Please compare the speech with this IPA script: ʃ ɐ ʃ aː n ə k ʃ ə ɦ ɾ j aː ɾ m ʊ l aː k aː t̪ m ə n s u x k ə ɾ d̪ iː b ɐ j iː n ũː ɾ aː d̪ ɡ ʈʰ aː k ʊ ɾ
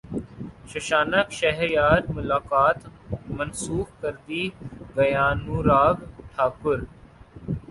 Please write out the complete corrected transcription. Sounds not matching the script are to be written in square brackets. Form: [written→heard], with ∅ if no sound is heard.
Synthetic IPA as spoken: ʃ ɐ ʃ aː n ə k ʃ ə ɦ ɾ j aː ɾ m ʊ l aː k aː t̪ m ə n s [u→uː] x k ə ɾ d̪ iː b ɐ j [iː→aː] n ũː ɾ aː [d̪→∅] ɡ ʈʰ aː k ʊ ɾ